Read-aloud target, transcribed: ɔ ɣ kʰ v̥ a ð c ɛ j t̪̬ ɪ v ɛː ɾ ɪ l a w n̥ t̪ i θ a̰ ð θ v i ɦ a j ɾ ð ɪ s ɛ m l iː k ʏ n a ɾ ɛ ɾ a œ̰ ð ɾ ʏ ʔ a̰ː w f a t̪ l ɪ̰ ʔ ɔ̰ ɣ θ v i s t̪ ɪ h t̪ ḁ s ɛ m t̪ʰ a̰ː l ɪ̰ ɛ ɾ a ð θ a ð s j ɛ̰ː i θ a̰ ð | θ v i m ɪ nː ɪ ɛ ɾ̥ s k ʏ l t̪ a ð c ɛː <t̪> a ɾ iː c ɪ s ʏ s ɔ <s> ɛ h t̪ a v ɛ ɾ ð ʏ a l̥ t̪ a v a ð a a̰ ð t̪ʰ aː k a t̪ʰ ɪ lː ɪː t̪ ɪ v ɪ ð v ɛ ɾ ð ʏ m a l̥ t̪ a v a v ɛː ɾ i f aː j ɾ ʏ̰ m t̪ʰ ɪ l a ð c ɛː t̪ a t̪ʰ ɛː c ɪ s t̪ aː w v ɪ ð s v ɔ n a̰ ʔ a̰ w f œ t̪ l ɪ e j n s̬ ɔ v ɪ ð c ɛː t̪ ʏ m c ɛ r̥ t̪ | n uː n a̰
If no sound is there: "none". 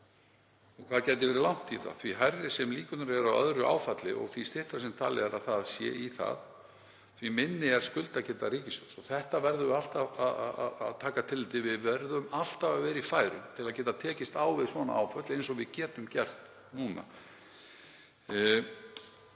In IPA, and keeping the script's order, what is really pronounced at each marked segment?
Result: t̪, θ

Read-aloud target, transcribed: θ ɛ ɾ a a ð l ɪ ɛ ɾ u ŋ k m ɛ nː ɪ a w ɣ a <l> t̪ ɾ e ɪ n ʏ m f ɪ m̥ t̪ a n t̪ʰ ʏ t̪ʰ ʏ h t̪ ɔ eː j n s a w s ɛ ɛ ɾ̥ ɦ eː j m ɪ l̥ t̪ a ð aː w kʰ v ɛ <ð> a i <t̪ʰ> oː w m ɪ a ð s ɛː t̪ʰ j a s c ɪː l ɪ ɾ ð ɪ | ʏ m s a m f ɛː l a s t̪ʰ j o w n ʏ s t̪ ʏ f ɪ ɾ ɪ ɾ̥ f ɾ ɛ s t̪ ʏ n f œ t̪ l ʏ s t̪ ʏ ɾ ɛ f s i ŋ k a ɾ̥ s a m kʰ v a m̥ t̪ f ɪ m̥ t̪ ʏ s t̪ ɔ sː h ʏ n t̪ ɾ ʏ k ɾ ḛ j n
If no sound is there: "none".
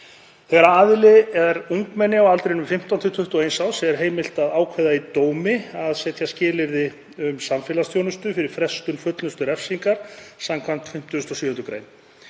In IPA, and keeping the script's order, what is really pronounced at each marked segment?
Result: l, ð, t̪

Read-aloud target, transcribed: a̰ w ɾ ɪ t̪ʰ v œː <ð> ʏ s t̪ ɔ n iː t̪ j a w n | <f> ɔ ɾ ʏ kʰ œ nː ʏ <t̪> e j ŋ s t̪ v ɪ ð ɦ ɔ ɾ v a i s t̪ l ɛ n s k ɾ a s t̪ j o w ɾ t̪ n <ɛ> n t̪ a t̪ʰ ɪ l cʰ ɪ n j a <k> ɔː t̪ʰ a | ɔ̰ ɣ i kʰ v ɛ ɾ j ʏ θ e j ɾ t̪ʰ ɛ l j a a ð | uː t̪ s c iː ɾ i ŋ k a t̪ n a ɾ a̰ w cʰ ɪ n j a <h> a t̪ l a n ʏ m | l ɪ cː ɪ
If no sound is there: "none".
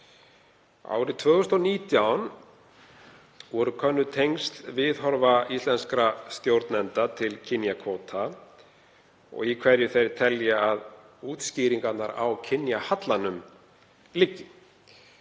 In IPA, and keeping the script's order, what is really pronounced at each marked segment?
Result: ɣ, v, t̪ʰ, ɛ, kʰ, h

